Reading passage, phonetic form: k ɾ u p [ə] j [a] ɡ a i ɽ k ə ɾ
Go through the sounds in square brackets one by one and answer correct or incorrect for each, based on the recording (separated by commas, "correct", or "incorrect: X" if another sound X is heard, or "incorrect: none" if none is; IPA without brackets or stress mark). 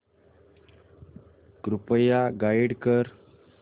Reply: correct, correct